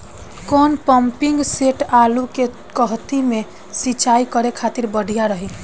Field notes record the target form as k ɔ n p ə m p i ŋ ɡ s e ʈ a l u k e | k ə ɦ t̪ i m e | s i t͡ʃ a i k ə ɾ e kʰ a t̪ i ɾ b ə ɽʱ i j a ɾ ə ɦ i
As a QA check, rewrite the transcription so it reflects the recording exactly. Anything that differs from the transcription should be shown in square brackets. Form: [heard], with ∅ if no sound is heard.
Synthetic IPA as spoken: k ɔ n p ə m p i ŋ ɡ s e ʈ a l u k e | k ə ɦ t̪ i m e | s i t͡ʃ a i k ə ɾ e kʰ a t̪ i ɾ b ə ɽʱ i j a ɾ ə ɦ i